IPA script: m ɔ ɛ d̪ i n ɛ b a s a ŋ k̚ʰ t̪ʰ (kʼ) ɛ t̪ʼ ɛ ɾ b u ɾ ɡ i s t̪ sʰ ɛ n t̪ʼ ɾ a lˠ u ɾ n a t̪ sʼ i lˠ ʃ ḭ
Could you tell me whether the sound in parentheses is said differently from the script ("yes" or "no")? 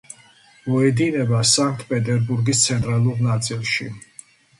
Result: yes